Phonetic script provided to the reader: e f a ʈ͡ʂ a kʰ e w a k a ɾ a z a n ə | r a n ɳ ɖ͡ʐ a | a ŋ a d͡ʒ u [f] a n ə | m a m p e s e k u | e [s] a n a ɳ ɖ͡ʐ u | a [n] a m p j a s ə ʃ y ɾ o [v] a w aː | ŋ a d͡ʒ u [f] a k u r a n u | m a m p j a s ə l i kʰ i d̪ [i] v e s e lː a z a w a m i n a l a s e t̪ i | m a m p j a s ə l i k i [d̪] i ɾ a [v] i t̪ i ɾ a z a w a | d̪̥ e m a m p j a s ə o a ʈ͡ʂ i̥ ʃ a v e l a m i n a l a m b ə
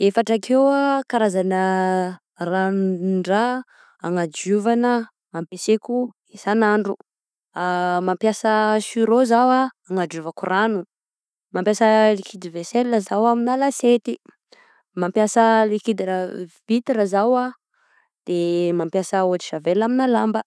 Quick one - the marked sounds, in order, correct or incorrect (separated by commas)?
incorrect, correct, incorrect, incorrect, incorrect, correct, correct, correct